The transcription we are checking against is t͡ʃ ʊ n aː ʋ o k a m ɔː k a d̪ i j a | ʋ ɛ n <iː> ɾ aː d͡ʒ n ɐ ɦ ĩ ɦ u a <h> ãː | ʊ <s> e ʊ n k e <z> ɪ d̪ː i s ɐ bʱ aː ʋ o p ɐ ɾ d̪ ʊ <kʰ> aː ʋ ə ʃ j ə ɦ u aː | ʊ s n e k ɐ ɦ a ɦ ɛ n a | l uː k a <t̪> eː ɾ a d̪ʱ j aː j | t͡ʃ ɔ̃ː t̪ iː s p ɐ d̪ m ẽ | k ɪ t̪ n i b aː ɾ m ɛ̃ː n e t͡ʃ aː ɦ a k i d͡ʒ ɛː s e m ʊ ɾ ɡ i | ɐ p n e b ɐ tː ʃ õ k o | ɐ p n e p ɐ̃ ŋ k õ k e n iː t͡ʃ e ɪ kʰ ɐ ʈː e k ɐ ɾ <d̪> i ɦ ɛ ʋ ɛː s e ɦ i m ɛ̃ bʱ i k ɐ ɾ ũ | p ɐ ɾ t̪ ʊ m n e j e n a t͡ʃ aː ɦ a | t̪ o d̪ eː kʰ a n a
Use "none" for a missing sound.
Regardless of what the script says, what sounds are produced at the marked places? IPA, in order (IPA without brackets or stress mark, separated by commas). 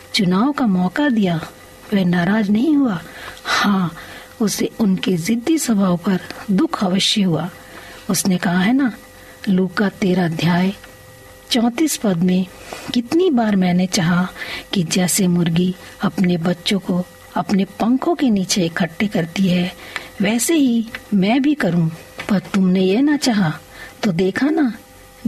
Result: aː, h, s, z, kʰ, t̪, t̪